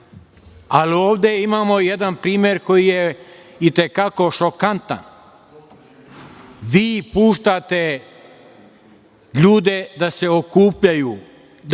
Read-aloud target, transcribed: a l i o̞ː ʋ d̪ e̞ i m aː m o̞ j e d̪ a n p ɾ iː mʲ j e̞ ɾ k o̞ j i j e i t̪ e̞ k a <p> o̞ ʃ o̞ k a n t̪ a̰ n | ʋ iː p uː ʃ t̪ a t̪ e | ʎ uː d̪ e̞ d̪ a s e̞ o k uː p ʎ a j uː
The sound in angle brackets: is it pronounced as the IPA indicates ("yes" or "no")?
no